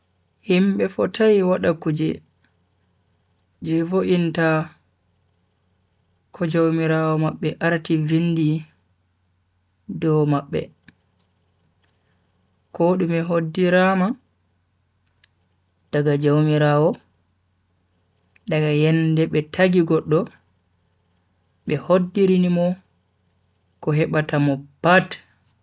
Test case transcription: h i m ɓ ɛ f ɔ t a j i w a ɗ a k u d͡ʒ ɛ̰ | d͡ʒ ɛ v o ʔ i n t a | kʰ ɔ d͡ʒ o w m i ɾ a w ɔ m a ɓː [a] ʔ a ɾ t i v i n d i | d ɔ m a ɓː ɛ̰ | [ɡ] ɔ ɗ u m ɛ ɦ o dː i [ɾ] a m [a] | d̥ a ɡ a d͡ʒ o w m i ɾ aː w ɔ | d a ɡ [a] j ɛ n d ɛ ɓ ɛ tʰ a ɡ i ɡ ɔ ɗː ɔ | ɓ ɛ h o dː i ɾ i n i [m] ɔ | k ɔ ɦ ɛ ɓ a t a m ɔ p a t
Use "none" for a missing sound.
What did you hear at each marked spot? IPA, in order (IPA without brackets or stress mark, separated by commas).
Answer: ɛ, k, ɾ, a, a, m